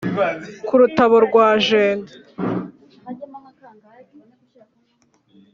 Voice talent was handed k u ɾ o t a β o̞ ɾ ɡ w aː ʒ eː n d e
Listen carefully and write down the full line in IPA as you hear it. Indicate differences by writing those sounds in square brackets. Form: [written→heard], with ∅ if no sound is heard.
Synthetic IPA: k u ɾ [o→u] t a β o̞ ɾ ɡ w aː ʒ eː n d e